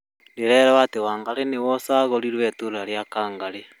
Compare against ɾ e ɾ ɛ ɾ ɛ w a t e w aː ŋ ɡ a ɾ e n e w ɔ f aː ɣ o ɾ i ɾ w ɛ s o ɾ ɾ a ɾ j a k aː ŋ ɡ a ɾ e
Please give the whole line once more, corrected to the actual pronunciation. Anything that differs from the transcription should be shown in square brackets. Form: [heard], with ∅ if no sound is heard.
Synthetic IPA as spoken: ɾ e ɾ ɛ ɾ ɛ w a t e w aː ŋ ɡ a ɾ e n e w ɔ [s] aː ɣ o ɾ i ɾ w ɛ [t] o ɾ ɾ a ɾ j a k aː ŋ ɡ a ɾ e